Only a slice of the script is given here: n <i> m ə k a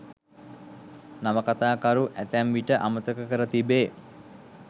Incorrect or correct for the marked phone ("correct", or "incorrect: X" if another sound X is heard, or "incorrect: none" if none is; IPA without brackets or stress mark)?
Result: incorrect: a